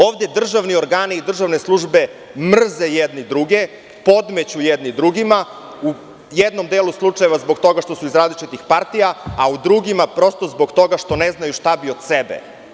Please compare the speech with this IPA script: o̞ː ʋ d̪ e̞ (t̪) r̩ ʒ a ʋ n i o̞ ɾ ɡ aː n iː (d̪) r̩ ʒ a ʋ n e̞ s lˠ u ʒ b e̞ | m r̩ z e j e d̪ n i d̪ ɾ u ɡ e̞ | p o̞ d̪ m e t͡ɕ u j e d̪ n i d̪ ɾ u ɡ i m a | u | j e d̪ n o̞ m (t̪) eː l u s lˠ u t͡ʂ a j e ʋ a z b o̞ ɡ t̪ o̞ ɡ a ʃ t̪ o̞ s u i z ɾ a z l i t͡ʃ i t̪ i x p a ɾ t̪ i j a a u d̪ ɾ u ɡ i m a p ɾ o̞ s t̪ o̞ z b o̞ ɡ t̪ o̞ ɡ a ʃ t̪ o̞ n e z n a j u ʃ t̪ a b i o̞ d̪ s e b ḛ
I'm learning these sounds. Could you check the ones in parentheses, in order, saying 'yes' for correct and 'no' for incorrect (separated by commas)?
no, yes, no